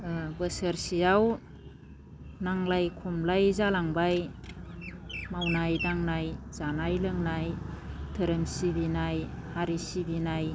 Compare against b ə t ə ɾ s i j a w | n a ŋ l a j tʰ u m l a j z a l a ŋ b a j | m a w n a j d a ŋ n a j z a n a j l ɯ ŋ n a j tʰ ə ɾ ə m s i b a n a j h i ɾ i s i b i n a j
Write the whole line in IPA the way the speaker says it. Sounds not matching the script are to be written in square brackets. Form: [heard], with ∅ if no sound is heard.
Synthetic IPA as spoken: b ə [s] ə ɾ s i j a w | n a ŋ l a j [kʰ] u m l a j z a l a ŋ b a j | m a w n a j d a ŋ n a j z a n a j l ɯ ŋ n a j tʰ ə ɾ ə m s i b [i] n a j h [a] ɾ i s i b i n a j